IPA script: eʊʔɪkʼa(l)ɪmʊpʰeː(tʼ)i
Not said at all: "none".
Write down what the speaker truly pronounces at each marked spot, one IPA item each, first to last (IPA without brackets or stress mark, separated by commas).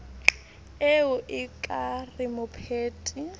r, tʼ